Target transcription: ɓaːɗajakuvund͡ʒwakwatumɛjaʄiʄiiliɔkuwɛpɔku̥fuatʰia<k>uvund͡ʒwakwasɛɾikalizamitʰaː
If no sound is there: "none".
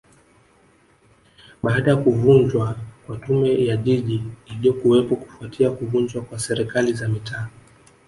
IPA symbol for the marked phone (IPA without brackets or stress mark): k